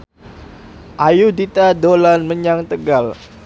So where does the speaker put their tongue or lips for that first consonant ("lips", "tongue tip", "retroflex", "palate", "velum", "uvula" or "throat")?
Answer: throat